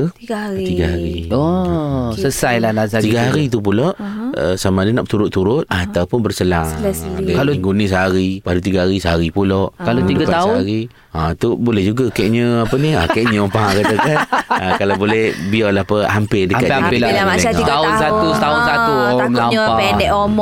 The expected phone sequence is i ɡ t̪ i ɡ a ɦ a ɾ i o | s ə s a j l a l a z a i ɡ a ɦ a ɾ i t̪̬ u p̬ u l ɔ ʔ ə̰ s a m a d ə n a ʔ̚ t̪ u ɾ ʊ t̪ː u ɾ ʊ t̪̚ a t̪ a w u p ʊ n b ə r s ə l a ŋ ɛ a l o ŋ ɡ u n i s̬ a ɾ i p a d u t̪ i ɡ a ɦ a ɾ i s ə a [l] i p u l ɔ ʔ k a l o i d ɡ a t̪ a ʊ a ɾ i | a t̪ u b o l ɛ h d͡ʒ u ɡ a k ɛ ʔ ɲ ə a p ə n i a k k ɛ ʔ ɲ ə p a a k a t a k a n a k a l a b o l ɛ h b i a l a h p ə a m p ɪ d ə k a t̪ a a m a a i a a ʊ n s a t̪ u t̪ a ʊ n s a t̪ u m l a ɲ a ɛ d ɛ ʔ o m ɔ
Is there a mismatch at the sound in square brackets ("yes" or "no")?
yes